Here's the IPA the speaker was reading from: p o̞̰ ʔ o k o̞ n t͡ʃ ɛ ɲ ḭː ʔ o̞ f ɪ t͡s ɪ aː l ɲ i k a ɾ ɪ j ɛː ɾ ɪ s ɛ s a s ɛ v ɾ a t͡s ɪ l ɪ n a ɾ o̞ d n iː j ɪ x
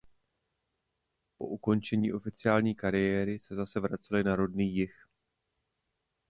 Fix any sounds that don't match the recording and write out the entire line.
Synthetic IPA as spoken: p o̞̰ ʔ u k o̞ n t͡ʃ ɛ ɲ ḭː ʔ o̞ f ɪ t͡s ɪ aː l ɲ iː k a ɾ ɪ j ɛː ɾ ɪ s ɛ z a s ɛ v ɾ a t͡s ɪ l ɪ n a ɾ o̞ d n iː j ɪ x